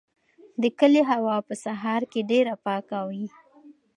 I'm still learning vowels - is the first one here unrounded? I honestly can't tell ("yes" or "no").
yes